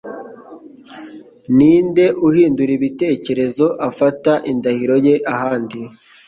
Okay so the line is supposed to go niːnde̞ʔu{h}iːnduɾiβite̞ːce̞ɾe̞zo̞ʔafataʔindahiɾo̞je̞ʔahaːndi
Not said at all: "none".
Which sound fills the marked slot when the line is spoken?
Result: h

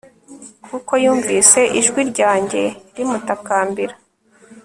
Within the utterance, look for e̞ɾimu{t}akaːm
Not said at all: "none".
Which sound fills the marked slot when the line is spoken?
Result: t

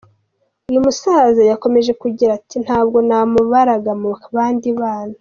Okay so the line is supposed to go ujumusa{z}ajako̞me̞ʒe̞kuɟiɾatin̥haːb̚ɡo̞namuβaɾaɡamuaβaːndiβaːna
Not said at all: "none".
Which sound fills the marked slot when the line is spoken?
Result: z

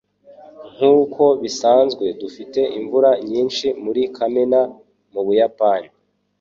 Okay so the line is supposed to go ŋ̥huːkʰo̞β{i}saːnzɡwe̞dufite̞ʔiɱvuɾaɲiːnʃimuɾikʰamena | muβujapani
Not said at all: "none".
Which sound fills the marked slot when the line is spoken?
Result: i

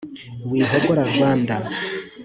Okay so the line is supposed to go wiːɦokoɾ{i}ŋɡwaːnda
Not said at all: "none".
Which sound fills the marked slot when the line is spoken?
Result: a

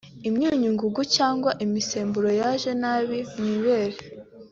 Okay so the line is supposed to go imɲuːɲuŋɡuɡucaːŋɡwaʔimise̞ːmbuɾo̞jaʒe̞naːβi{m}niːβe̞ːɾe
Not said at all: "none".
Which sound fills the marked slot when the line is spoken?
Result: m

